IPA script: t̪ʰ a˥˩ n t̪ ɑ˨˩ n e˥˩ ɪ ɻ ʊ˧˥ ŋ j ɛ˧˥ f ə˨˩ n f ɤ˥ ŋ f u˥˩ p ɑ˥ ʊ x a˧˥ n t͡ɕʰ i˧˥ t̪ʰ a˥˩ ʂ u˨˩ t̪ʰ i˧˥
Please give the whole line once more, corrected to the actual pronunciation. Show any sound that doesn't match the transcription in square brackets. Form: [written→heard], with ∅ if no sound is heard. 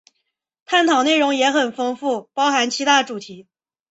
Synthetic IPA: t̪ʰ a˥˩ n [t̪→t̪ʰ] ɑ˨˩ n e˥˩ ɪ ɻ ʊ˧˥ ŋ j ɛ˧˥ [f→x] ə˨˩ n f ɤ˥ ŋ f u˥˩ p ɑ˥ ʊ x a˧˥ n t͡ɕʰ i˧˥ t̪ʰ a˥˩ [ʂ→ʈ͡ʂ] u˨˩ t̪ʰ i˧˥